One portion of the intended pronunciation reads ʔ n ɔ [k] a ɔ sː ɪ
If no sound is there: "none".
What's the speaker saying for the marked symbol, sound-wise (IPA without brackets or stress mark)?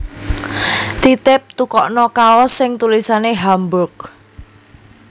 k